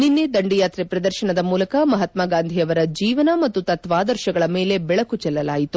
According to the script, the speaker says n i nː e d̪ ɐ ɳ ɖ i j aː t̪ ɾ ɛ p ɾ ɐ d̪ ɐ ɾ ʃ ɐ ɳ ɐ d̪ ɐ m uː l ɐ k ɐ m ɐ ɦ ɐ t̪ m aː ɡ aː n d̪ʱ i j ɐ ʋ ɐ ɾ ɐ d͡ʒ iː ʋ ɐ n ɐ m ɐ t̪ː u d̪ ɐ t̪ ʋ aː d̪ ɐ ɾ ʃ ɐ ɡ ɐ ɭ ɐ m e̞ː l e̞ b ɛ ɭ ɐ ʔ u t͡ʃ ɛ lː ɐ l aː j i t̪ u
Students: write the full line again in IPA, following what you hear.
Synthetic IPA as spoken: n i nː e d̪ ɐ ɳ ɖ i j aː t̪ ɾ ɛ p ɾ ɐ d̪ ɐ ɾ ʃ ɐ ɳ ɐ d̪ ɐ m uː l ɐ k ɐ m ɐ ɦ ɐ t̪ m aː ɡ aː n d̪ʱ i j ɐ ʋ ɐ ɾ ɐ d͡ʒ iː ʋ ɐ n ɐ m ɐ t̪ː u t̪ ɐ t̪ ʋ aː d̪ ɐ ɾ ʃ ɐ ɡ ɐ ɭ ɐ m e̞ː l e̞ b ɛ ɭ ɐ k u t͡ʃ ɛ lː ɐ l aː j i t̪ u